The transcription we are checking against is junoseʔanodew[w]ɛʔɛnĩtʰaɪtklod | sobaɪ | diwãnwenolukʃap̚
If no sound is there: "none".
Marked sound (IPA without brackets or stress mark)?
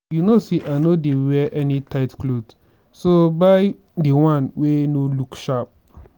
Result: w